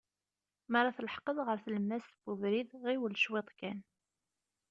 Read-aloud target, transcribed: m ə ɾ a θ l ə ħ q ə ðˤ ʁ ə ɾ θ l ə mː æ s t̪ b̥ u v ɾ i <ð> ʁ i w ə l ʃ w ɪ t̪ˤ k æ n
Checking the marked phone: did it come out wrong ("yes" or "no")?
no